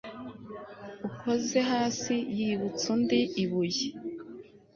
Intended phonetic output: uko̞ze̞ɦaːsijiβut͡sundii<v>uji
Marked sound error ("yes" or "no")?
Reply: yes